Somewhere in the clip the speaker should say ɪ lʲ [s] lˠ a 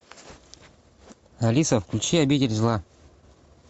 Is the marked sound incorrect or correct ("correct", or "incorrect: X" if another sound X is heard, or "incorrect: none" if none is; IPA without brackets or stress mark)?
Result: incorrect: z